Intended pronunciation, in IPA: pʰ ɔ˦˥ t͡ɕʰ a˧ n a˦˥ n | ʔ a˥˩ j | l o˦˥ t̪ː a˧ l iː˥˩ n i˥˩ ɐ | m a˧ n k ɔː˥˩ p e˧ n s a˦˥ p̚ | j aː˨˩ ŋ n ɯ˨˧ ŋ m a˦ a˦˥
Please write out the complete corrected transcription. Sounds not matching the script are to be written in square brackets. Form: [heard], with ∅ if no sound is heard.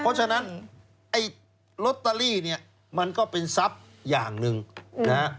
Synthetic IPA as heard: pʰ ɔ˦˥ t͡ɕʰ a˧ n a˦˥ n | ʔ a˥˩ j | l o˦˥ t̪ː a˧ l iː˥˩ n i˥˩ ɐ | m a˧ n k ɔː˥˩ p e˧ n s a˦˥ p̚ | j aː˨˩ ŋ n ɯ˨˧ ŋ [n] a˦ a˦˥